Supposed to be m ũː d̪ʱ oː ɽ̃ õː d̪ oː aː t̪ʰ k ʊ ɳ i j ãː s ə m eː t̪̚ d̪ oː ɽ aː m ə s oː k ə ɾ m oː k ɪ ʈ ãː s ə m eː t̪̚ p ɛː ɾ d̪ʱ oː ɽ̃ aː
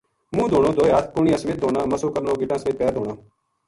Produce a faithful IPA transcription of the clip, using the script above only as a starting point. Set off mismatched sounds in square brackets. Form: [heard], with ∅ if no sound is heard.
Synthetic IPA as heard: m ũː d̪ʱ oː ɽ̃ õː d̪ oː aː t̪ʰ k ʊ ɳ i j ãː s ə m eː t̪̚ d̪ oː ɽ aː m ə s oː k ə ɾ [n] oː [ɡ] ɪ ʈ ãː s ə m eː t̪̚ p ɛː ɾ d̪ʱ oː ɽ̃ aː

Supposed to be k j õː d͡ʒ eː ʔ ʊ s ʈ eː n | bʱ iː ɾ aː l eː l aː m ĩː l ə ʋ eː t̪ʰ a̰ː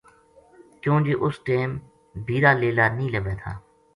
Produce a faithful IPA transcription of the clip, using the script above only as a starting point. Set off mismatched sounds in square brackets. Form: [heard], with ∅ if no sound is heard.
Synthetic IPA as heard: k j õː d͡ʒ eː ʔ ʊ s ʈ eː [m] | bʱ iː ɾ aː l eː l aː [n] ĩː l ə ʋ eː t̪ʰ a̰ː

